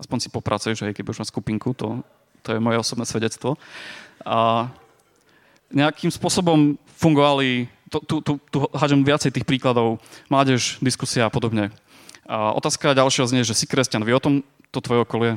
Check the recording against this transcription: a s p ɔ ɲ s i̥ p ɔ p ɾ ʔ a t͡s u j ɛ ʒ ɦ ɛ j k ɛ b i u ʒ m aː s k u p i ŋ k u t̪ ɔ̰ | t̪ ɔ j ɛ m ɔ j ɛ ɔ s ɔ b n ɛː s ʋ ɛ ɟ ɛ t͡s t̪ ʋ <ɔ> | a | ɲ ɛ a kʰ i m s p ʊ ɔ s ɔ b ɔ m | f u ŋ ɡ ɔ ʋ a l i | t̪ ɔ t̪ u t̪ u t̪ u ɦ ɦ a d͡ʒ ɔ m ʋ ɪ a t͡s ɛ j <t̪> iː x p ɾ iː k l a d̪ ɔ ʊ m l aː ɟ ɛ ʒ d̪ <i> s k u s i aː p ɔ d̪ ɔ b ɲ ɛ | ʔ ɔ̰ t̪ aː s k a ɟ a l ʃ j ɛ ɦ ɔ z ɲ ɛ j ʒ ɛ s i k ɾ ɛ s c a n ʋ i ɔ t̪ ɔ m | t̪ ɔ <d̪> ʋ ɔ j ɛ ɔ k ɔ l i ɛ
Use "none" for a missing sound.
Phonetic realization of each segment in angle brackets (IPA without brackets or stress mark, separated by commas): ɔ, t̪, i, t̪